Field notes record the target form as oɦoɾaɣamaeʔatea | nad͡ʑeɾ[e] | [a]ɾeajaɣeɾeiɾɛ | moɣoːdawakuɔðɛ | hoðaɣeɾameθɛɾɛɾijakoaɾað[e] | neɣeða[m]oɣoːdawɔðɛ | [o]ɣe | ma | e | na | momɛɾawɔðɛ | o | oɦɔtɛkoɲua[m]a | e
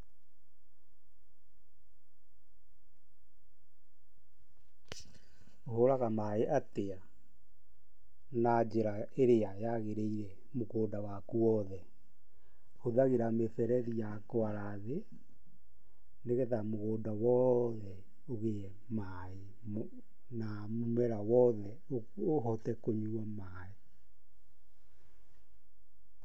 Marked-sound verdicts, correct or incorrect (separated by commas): incorrect, incorrect, correct, correct, correct, correct